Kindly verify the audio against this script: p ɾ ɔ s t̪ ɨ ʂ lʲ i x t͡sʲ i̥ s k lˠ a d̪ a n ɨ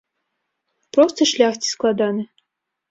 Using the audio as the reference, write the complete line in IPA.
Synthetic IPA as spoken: p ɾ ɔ s t̪ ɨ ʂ lʲ a x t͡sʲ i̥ s k lˠ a d̪ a n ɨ